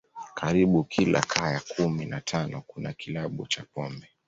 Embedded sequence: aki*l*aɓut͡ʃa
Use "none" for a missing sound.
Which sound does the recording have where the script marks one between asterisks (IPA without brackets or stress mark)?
l